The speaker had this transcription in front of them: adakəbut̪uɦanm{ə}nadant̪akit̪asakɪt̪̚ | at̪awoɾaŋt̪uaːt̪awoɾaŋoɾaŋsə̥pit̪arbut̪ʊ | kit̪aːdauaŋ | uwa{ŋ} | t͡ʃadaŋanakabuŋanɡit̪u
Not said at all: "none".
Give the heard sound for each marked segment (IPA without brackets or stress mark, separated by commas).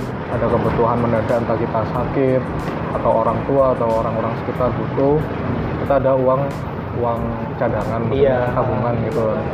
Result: ə, ŋ